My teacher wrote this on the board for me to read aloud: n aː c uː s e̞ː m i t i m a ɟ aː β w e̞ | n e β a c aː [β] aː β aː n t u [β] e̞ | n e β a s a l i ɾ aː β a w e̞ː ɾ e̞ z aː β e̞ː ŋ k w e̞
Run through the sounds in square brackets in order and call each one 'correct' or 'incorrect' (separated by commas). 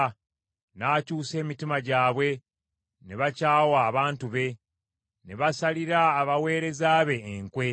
incorrect, correct